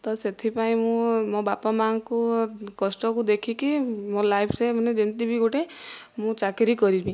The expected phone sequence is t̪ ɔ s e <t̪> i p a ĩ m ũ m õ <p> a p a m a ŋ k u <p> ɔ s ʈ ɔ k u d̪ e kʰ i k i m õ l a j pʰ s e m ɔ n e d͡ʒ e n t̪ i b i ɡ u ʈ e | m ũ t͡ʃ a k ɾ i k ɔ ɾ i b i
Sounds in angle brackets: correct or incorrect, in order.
incorrect: t̪ʰ, incorrect: b, incorrect: k

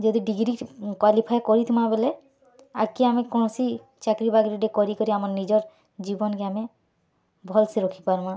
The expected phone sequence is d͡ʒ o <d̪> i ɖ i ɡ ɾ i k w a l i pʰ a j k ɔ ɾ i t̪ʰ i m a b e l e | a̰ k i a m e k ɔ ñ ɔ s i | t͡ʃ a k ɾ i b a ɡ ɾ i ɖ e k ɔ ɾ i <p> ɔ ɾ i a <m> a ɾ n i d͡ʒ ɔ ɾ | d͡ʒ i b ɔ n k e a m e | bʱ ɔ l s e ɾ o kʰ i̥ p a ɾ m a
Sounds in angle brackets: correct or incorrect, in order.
correct, incorrect: k, correct

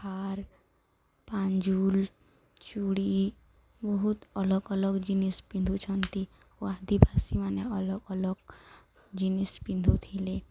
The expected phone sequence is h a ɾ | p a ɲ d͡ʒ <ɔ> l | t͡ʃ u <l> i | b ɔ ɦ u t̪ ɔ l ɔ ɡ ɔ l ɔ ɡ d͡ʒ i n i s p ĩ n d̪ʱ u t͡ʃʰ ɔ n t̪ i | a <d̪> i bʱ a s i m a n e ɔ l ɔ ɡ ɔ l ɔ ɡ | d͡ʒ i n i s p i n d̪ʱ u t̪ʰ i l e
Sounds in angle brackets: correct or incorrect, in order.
incorrect: u, incorrect: ɽ, correct

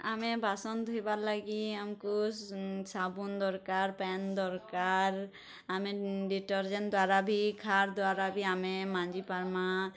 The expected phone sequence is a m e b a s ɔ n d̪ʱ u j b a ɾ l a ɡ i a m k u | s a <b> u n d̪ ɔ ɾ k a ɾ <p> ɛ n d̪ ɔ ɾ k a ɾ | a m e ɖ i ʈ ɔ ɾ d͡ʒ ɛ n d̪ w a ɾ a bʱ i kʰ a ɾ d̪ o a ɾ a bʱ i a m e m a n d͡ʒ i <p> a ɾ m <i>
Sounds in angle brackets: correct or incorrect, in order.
correct, correct, correct, incorrect: a

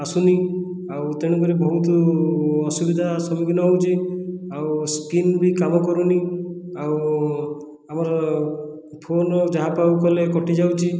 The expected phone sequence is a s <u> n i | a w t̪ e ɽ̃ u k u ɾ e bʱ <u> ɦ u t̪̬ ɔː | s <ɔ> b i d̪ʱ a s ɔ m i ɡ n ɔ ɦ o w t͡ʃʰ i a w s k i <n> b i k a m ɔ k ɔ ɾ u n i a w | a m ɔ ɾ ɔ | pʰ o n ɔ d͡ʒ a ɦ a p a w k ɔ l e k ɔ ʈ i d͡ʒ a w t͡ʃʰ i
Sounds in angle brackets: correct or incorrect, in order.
correct, incorrect: ɔ, incorrect: u, correct

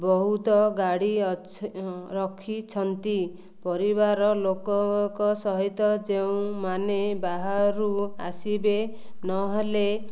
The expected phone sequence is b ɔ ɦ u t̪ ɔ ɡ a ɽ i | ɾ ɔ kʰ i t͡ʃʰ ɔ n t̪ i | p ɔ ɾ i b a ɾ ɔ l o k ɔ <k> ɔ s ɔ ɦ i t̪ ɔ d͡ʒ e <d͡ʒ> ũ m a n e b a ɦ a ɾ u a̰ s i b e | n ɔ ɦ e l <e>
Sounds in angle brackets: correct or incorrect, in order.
correct, incorrect: none, correct

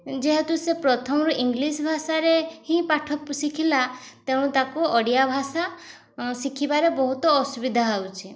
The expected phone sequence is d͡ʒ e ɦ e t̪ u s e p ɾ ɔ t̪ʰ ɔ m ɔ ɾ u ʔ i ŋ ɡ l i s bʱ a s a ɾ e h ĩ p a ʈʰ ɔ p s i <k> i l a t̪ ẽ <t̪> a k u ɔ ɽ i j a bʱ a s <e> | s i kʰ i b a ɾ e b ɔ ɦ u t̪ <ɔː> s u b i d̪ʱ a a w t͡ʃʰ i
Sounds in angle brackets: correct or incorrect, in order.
incorrect: kʰ, correct, incorrect: a, correct

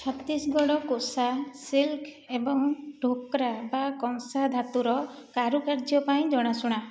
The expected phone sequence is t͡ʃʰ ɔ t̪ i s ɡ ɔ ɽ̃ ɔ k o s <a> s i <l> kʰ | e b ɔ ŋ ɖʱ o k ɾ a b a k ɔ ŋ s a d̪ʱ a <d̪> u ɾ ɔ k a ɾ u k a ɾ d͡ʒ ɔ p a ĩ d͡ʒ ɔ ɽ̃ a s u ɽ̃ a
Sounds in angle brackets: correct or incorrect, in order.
correct, correct, incorrect: t̪

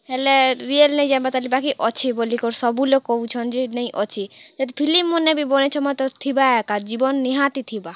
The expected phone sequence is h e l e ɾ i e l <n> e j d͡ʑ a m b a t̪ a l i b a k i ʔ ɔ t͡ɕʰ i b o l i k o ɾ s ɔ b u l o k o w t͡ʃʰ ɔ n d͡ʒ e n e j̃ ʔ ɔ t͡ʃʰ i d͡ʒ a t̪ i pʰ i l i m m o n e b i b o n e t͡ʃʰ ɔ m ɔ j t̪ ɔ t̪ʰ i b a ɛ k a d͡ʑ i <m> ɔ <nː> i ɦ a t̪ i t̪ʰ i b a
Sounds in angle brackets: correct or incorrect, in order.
correct, incorrect: b, correct

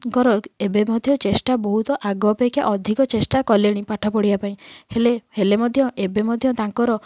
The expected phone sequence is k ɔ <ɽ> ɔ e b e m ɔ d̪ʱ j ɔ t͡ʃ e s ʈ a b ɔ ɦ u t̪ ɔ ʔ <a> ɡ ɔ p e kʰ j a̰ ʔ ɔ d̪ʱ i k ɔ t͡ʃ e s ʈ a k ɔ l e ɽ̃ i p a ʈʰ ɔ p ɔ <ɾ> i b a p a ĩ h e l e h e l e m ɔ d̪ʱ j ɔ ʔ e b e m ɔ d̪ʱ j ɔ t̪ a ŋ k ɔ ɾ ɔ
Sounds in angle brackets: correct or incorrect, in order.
incorrect: ɾ, correct, incorrect: ɽ

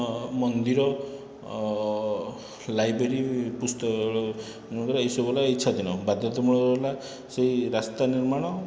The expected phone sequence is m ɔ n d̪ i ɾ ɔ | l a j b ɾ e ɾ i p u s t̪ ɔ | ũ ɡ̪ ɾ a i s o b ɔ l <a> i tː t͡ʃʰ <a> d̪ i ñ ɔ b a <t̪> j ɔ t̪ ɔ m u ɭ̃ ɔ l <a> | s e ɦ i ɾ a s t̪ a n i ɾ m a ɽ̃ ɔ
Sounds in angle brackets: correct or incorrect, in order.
correct, correct, incorrect: d̪, correct

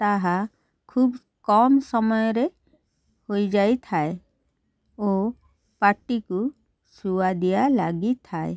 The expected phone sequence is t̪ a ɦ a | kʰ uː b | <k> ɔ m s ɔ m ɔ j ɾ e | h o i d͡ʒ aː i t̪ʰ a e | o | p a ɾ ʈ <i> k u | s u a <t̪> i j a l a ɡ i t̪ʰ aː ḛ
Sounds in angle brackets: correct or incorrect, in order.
correct, correct, incorrect: d̪

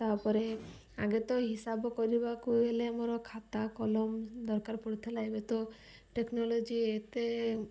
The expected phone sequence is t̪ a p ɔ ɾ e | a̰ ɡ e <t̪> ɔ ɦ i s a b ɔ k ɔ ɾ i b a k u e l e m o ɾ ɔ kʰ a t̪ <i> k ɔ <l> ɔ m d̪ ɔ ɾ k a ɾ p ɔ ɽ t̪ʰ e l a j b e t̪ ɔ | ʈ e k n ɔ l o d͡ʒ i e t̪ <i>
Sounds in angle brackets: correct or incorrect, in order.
correct, incorrect: a, correct, incorrect: e

